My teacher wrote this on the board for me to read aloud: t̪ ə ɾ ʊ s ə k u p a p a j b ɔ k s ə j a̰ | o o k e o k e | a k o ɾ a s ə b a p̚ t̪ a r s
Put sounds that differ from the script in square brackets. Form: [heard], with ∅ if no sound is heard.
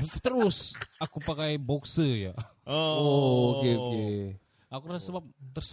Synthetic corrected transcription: t̪ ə ɾ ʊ s [a] k u p a [k] a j b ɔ k s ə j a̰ | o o k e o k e | a k [u] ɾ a s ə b a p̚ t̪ [ə] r s